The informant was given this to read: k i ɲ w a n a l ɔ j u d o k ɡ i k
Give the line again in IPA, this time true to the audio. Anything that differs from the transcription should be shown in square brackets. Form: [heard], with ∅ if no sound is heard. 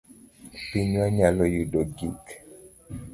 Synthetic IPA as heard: [p] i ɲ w a [ɲ] a l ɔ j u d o [∅] ɡ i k